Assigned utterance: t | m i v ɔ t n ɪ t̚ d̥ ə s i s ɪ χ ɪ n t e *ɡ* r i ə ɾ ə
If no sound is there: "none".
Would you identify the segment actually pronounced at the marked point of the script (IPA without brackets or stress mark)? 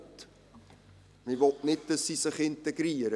ɡ